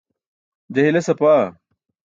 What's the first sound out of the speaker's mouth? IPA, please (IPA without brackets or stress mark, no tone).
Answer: d͡ʑ